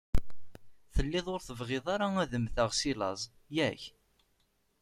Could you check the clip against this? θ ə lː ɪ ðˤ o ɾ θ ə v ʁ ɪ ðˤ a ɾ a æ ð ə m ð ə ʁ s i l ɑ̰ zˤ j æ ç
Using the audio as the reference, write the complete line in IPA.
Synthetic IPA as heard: θ ə lː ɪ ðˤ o ɾ θ ə v ʁ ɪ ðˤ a ɾ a æ ð ə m θ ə ʁ s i l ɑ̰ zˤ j æ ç